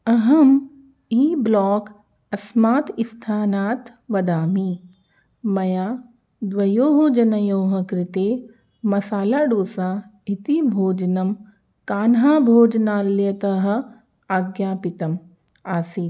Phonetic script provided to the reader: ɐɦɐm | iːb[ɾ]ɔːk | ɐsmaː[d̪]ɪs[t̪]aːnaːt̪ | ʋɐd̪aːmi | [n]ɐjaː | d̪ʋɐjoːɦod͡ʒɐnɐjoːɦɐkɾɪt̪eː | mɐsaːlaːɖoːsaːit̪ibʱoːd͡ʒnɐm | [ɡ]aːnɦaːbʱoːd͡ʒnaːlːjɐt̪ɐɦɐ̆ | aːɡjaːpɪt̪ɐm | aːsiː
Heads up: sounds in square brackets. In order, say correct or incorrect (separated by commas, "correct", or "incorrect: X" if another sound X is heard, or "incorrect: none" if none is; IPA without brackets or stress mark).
incorrect: l, incorrect: t̪, incorrect: t̪ʰ, incorrect: m, incorrect: k